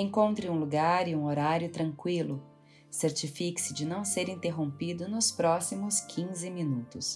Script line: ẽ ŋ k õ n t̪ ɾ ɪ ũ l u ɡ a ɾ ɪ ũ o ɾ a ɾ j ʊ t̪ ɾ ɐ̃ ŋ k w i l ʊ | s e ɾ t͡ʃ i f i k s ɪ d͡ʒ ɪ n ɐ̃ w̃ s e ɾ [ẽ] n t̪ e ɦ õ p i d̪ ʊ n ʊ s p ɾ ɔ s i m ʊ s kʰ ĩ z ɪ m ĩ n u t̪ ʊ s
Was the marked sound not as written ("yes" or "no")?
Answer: yes